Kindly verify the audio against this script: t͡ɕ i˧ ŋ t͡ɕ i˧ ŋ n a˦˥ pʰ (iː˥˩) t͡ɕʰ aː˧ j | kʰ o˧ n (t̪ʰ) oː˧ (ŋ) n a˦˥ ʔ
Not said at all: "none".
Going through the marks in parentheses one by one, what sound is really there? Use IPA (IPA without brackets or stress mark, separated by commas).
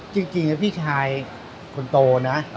iː˥˩, t̪, none